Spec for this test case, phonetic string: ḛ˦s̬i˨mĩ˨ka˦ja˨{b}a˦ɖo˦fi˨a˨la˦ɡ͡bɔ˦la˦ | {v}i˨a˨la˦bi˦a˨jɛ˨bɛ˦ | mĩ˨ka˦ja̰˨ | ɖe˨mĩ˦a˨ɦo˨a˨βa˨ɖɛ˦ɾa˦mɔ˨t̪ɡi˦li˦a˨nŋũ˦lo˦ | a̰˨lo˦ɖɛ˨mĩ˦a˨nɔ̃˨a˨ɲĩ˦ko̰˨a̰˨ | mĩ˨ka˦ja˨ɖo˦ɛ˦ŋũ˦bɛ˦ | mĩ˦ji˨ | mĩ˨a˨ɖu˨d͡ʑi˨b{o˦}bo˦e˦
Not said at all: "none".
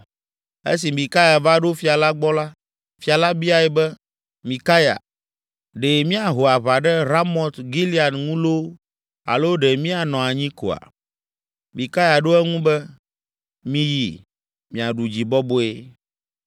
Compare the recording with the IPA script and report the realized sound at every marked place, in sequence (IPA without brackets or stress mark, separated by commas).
v, f, ɔ˦